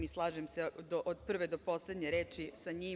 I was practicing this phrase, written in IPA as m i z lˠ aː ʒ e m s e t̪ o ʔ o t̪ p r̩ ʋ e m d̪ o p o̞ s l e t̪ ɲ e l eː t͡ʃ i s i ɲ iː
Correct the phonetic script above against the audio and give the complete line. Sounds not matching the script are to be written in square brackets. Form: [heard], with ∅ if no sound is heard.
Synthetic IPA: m i [s] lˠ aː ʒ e m s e [d̪] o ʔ o [d̪] p r̩ ʋ e [∅] d̪ o p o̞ s l e [d̪] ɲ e [ɾ] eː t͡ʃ i s [a] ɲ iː